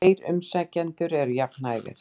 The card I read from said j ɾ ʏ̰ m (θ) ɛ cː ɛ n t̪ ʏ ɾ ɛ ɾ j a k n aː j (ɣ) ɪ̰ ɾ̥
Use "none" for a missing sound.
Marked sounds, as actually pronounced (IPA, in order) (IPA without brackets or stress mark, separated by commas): s, ɣ